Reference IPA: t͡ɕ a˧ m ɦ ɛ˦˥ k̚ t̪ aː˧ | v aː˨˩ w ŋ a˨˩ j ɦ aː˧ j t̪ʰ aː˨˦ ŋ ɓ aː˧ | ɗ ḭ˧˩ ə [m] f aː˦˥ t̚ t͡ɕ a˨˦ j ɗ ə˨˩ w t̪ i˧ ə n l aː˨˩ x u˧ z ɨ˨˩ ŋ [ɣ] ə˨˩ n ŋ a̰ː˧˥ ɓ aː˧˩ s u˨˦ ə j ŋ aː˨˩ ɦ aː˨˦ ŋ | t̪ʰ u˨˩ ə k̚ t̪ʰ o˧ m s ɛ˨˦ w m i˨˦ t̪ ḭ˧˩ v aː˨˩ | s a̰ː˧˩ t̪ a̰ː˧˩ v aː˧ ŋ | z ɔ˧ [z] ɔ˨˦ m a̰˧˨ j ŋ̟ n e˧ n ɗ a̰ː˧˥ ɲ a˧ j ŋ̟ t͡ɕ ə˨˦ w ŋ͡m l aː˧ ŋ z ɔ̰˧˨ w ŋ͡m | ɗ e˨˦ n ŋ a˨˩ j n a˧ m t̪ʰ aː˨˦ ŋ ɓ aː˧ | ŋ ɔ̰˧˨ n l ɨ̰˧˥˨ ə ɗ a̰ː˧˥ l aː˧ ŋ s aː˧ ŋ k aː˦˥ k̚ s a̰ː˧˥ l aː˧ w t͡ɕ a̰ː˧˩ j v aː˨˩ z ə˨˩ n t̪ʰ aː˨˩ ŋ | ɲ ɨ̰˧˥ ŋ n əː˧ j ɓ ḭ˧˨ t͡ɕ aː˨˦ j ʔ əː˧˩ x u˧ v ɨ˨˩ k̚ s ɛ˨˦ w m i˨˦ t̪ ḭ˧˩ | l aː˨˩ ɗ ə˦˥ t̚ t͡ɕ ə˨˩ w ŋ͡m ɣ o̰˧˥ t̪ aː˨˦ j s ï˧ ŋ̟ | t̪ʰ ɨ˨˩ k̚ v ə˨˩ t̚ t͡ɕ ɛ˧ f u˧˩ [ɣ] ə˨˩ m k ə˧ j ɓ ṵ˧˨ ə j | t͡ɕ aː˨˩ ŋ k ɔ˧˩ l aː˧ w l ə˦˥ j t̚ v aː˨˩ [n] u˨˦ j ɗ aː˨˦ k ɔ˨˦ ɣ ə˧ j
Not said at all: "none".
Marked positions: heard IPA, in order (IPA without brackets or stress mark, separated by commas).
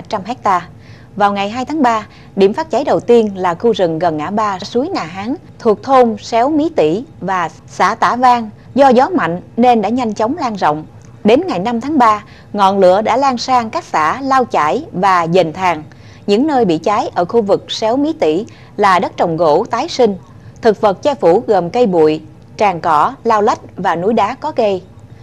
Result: m, ɣ, z, ɣ, n